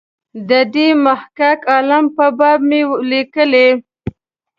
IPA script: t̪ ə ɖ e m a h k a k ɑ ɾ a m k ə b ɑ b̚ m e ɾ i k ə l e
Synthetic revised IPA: d̪ ə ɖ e m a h k a k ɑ l a m p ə b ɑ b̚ m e l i k ə l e